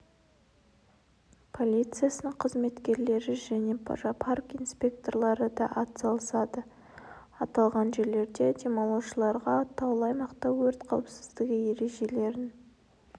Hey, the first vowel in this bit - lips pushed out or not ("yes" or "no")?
yes